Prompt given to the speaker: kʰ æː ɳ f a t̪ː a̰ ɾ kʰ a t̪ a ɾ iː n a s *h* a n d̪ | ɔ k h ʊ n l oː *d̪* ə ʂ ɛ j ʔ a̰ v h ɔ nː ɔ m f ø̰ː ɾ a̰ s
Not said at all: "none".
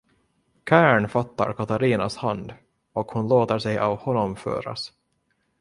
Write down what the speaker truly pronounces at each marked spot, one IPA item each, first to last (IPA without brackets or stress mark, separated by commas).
h, t̪